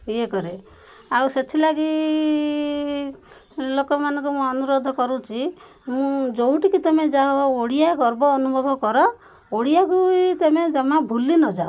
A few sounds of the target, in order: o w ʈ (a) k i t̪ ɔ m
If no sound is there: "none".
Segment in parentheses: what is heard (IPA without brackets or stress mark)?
i